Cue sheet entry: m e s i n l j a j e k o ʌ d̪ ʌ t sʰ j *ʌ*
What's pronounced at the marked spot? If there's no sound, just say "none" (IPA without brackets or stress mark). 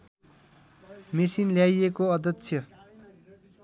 ʌ